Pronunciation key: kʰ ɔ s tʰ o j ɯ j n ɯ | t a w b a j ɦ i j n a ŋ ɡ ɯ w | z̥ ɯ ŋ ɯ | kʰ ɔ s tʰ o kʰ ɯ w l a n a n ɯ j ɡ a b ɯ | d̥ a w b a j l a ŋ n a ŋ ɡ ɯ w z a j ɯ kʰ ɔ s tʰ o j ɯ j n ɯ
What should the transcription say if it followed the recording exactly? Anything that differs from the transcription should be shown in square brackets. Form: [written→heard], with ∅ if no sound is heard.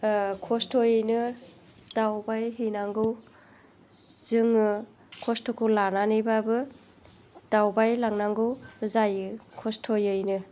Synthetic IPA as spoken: kʰ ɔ s tʰ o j ɯ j n ɯ | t a w b a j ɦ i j n a ŋ ɡ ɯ w | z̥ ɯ ŋ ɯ | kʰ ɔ s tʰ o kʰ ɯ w l a n a n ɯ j [ɡ→b] a b ɯ | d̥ a w b a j l a ŋ n a ŋ ɡ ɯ w z a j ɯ kʰ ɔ s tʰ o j ɯ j n ɯ